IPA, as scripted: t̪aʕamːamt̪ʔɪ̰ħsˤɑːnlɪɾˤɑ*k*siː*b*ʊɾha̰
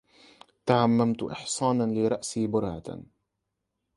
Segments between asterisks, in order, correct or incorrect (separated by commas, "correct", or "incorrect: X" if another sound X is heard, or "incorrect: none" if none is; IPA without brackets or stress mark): incorrect: ʔ, correct